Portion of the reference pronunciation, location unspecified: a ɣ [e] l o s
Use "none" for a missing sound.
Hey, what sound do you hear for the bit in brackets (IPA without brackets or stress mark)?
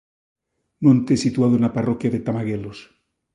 e